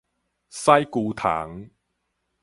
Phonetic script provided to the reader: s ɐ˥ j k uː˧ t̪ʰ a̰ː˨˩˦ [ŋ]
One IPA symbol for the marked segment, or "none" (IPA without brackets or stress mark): ŋ